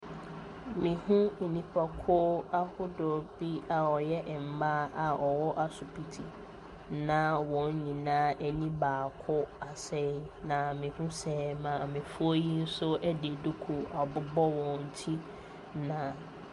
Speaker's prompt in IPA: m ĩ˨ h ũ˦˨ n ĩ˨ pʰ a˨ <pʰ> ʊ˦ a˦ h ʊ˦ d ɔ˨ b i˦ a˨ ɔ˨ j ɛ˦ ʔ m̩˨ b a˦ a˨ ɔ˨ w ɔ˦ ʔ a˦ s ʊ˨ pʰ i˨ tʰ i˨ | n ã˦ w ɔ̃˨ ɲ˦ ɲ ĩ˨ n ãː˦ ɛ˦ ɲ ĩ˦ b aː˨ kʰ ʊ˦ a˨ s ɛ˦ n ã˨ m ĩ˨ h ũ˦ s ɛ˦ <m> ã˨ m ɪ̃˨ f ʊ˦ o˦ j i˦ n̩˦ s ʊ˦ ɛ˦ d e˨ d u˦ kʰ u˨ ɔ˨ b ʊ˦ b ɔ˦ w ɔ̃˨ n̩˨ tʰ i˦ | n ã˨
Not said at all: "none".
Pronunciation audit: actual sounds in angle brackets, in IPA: kʰ, m

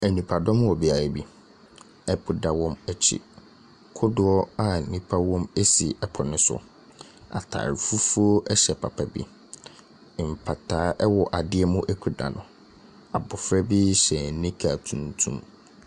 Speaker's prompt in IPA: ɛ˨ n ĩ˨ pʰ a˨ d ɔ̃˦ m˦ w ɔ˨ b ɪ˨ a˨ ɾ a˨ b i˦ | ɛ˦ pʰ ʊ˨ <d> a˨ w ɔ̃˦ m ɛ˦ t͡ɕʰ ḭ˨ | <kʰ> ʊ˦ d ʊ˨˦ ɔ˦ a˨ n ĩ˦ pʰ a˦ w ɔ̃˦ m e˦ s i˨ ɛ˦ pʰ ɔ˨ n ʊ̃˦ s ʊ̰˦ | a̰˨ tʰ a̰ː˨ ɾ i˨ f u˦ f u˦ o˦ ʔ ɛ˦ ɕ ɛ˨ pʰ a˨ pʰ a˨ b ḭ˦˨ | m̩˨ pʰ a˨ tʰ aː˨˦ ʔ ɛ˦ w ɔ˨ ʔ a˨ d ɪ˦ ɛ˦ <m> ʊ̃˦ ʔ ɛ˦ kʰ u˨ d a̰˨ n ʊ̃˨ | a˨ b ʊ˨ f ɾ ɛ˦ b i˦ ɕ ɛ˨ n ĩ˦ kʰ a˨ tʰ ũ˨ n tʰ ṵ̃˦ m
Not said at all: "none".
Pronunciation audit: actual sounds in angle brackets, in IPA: d, kʰ, m

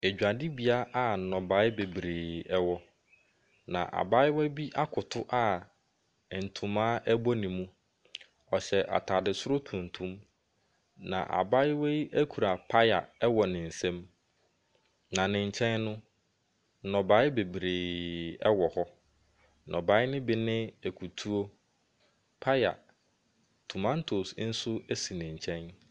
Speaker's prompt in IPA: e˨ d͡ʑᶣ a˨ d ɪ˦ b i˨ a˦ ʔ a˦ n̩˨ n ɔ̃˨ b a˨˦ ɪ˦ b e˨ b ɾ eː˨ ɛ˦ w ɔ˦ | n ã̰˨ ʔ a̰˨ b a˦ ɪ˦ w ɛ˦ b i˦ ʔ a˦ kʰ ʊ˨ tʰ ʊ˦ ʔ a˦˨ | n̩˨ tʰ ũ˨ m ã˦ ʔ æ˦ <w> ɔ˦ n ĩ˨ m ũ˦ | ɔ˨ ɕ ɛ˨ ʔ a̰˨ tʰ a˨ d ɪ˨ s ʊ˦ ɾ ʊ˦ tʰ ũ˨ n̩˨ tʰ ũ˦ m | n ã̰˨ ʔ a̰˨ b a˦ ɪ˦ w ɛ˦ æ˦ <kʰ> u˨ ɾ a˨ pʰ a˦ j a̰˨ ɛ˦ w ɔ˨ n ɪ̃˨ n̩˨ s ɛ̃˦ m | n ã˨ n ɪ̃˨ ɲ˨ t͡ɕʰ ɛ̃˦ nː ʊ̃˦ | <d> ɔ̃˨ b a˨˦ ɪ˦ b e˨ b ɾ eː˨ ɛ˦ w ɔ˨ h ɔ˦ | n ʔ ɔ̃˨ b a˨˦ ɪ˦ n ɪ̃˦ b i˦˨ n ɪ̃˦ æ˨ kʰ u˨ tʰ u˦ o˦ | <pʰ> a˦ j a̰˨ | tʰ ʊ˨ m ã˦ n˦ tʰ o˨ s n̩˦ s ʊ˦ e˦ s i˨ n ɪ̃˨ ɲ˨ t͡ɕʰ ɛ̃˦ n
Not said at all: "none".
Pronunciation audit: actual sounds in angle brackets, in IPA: b, kʰ, n, pʰ

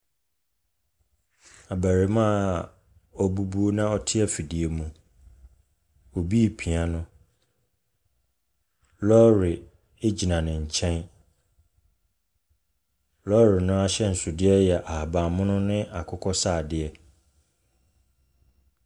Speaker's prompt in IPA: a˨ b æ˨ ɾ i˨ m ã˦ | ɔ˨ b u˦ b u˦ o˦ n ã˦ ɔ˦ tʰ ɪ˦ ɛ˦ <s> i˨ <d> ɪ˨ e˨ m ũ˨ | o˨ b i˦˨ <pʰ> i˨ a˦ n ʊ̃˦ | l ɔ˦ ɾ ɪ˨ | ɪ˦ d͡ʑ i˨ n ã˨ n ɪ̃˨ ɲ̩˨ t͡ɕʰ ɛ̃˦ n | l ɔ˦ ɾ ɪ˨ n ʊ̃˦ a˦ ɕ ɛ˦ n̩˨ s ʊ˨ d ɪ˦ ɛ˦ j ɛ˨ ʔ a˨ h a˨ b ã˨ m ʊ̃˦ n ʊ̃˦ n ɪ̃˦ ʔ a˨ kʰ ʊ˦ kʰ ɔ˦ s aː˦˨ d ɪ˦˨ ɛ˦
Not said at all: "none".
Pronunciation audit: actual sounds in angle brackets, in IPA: f, d, pʰ

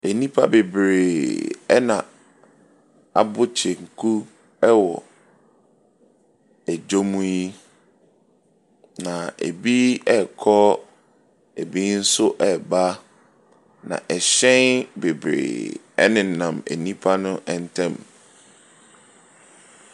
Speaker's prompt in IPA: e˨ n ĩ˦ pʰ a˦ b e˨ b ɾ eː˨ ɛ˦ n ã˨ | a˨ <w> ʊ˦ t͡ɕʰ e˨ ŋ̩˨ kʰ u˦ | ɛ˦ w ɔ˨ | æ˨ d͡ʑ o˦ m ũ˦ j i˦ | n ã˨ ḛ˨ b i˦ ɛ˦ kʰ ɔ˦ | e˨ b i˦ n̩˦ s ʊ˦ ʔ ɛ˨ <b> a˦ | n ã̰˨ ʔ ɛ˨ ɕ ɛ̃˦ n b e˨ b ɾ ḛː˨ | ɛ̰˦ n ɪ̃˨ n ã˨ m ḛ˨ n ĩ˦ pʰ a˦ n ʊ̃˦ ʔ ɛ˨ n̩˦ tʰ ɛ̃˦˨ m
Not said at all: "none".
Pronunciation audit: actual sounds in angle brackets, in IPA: b, b

